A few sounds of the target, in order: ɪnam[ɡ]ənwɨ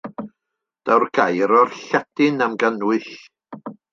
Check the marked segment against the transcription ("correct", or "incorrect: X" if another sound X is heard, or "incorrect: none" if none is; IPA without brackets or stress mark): correct